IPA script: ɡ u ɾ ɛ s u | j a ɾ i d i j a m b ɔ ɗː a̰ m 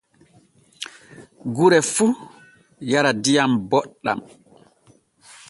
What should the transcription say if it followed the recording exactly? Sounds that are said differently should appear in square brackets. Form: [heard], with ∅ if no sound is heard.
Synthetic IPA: ɡ u ɾ ɛ [f] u | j a ɾ [a] d i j a m b ɔ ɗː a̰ m